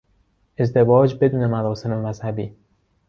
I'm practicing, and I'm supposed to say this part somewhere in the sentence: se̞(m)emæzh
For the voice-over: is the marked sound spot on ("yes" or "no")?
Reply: yes